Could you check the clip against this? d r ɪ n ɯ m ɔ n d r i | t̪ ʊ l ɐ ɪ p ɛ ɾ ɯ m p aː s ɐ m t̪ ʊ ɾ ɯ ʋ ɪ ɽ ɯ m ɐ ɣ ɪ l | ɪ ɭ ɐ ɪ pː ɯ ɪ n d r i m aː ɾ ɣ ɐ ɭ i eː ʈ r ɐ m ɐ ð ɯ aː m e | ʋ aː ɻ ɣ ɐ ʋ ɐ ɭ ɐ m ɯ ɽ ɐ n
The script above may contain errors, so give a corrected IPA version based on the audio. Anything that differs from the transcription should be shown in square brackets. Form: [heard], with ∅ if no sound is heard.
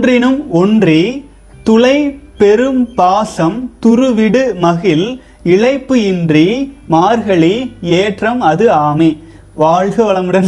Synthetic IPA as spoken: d r ɪ n ɯ m ɔ n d r i | t̪ ʊ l ɐ ɪ p ɛ ɾ ɯ m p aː s ɐ m t̪ ʊ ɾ ɯ ʋ ɪ ɽ ɯ m ɐ ɣ ɪ l | ɪ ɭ ɐ ɪ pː ɯ ɪ n d r i m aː ɾ ɣ ɐ ɭ i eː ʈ r ɐ m ɐ ð ɯ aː m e | ʋ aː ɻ ɣ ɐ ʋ ɐ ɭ ɐ m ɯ ɽ ɐ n